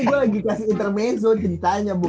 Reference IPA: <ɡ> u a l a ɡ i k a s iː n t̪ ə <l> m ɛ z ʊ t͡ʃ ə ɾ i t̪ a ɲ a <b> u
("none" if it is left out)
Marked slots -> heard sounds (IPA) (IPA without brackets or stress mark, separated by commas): ɡ, r, b